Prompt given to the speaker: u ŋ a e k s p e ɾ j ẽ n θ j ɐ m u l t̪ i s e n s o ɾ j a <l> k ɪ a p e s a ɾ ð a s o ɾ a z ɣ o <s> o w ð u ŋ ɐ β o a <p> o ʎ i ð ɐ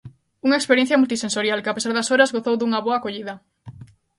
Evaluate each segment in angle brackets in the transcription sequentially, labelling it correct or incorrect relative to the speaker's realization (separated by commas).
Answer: correct, incorrect, incorrect